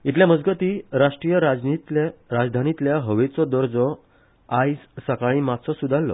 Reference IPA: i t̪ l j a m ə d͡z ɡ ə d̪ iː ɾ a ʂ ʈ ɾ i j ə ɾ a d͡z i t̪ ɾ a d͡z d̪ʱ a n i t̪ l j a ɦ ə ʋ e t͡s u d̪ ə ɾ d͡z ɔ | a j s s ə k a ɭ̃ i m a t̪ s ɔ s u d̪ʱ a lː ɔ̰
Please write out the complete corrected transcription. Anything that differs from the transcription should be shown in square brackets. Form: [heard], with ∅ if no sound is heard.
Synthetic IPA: i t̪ l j a m ə d͡z ɡ ə [t̪] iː ɾ a ʂ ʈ ɾ i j ə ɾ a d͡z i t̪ ɾ a d͡z d̪ʱ a n i t̪ l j a ɦ ə ʋ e t͡s [ɔ] d̪ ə ɾ d͡z ɔ | a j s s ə k a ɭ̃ i m a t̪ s ɔ s u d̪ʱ a lː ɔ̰